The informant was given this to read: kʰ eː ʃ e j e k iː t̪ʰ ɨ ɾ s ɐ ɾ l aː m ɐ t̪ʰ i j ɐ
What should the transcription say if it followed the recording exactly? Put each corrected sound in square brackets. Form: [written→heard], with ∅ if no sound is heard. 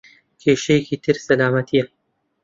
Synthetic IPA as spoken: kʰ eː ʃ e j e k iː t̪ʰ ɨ ɾ s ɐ [ɾ→∅] l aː m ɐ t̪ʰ i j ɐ